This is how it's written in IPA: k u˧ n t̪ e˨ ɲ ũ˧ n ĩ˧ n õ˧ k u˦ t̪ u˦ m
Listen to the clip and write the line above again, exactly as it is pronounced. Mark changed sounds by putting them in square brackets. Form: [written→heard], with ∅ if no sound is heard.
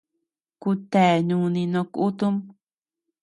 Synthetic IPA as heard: k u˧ [n→∅] t̪ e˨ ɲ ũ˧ n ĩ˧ n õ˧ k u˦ t̪ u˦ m